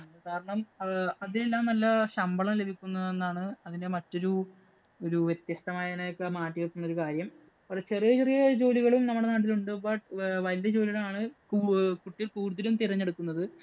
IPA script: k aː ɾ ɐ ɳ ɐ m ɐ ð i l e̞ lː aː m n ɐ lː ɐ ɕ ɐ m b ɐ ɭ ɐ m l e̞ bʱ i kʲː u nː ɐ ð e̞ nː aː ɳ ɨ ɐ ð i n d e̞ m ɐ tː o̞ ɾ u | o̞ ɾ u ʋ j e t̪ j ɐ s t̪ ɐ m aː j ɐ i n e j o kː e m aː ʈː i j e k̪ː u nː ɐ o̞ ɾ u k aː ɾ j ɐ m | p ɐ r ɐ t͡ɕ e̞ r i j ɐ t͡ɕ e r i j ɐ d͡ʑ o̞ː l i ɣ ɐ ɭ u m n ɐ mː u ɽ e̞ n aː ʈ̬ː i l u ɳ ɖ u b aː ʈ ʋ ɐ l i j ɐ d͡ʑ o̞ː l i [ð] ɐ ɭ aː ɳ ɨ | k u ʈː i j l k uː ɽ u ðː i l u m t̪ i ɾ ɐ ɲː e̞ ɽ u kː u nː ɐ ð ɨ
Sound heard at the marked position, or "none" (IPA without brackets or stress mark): ɣ